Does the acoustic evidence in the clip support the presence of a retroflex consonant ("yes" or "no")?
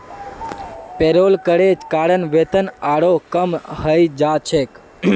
yes